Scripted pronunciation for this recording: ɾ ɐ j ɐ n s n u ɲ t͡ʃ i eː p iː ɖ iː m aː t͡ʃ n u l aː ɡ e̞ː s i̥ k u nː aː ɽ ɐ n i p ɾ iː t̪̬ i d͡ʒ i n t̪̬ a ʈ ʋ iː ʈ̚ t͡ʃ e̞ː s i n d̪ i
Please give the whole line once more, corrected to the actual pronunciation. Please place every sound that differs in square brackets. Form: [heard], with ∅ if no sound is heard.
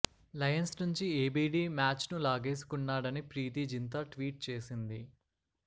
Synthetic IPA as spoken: [l] ɐ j ɐ n s n u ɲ t͡ʃ i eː [b] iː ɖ iː m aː t͡ʃ n u l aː ɡ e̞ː s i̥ k u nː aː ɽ ɐ n i p ɾ iː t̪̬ i d͡ʒ i n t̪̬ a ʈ ʋ iː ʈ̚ t͡ʃ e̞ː s i n d̪ i